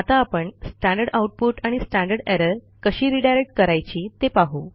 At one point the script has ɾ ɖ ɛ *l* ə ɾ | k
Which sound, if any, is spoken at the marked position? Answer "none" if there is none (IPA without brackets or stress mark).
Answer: ɾ